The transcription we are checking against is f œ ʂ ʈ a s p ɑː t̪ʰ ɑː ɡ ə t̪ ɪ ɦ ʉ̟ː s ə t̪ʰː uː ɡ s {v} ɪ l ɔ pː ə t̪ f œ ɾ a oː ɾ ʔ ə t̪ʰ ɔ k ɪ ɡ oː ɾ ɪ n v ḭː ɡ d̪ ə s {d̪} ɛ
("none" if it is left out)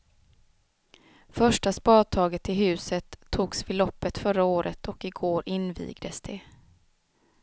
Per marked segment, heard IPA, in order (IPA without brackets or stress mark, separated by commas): v, d̪